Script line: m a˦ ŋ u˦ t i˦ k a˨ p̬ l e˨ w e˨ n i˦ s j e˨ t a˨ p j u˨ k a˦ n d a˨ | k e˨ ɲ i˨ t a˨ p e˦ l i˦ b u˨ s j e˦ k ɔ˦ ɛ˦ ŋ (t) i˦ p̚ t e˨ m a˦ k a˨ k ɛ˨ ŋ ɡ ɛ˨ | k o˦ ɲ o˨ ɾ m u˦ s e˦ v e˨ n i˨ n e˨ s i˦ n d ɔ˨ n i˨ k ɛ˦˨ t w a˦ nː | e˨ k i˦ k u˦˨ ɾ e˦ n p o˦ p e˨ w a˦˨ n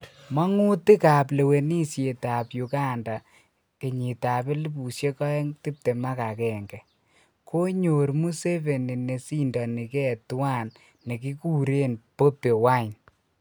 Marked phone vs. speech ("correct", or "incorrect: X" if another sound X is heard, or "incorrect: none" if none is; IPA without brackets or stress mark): correct